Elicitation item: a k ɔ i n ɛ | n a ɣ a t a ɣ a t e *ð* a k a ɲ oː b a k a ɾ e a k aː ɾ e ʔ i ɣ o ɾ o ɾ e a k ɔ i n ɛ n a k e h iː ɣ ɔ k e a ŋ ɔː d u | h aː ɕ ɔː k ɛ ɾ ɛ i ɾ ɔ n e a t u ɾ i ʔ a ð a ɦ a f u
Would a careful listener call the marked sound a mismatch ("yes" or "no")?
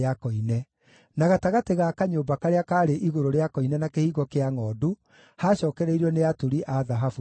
yes